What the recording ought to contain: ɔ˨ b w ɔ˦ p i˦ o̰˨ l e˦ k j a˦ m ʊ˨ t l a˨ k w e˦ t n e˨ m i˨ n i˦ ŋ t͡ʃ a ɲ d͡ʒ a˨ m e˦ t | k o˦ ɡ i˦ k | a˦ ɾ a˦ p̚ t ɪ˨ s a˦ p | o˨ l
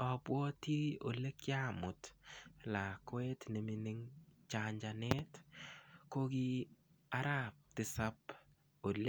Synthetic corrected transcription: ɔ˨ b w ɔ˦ t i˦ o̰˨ l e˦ k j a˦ m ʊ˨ t l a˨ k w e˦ t n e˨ m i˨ n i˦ ŋ t͡ʃ a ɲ d͡ʒ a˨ n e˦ t | k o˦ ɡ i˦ | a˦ ɾ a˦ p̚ t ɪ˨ s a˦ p | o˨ l